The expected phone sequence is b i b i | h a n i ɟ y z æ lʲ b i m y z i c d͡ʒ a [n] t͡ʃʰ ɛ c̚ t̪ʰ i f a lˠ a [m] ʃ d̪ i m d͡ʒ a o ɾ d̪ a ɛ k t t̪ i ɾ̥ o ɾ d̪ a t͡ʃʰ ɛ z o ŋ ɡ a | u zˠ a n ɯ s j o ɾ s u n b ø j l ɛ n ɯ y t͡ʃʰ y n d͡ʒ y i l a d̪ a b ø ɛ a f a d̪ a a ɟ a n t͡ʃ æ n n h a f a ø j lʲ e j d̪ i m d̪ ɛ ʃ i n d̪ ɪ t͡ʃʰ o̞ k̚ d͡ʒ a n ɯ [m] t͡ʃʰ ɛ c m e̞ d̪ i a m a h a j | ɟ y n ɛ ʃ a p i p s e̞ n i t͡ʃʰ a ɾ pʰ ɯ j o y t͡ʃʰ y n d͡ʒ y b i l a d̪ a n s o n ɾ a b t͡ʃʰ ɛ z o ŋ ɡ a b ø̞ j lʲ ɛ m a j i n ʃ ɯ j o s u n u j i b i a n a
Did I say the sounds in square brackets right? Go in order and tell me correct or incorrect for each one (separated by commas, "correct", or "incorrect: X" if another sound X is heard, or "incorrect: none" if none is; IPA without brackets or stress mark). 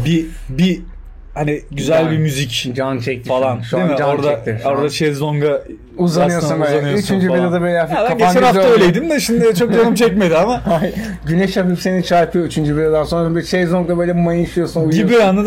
correct, incorrect: n, correct